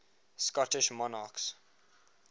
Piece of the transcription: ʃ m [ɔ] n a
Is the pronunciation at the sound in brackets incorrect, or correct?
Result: correct